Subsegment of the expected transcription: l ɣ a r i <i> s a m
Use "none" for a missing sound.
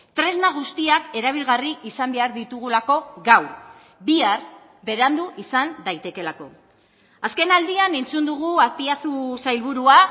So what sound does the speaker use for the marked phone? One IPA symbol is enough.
i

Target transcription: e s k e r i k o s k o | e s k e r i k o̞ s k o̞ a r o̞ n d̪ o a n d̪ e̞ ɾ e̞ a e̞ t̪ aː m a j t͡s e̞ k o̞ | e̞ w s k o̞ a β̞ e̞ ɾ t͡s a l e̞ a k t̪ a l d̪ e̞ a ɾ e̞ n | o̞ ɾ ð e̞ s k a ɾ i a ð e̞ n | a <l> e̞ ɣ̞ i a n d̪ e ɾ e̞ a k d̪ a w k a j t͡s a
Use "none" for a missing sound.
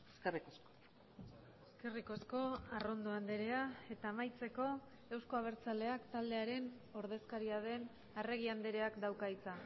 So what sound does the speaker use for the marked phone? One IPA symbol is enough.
r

